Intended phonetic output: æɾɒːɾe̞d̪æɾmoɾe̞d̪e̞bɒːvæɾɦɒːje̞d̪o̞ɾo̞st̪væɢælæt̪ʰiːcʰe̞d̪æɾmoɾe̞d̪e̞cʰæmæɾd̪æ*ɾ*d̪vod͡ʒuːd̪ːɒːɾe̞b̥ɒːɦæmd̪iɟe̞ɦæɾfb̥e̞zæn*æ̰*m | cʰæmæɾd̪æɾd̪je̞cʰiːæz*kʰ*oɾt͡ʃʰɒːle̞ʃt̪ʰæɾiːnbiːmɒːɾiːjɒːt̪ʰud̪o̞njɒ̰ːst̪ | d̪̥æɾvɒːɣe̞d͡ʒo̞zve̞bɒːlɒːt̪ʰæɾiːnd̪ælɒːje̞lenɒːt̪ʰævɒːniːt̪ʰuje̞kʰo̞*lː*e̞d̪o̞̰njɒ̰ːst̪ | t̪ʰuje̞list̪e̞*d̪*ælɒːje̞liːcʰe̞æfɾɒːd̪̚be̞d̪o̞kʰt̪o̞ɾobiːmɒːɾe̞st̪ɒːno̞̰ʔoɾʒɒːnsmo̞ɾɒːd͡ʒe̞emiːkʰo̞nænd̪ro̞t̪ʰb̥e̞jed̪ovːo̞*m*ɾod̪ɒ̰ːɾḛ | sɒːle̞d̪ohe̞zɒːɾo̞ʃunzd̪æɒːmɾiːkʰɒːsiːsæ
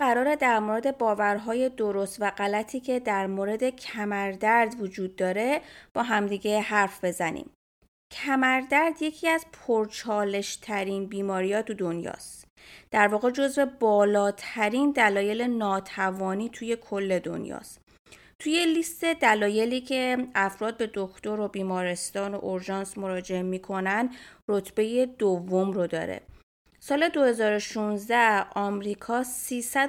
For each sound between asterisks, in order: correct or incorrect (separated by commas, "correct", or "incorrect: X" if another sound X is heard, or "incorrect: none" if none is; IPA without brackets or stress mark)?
correct, incorrect: ḭ, incorrect: pʰ, correct, correct, correct